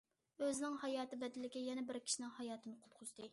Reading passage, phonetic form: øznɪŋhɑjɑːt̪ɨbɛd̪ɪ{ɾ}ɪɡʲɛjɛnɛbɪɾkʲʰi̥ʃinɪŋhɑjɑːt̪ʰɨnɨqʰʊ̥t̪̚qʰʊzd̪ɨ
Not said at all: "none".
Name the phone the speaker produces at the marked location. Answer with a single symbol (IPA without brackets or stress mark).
l